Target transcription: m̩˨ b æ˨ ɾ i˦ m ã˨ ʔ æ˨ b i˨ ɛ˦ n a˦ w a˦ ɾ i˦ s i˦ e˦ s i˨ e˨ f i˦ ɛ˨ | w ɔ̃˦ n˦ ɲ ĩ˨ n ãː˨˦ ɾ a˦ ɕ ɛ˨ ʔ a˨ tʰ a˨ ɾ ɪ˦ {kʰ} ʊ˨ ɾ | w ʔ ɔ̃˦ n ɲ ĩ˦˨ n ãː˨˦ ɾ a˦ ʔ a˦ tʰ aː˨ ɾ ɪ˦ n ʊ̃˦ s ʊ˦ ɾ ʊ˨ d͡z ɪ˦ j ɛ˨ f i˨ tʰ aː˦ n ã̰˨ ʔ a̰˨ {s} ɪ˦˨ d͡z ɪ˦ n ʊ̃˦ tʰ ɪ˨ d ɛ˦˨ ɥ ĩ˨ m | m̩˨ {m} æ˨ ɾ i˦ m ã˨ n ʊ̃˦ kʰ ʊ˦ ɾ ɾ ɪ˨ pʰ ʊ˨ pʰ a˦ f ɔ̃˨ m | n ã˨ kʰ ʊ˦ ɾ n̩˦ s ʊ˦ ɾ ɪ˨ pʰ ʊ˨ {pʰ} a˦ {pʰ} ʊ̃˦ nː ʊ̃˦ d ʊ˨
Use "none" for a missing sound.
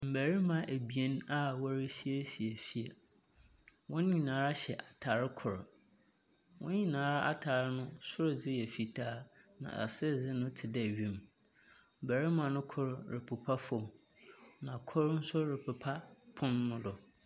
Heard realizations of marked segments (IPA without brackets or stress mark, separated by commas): kʰ, s, b, pʰ, pʰ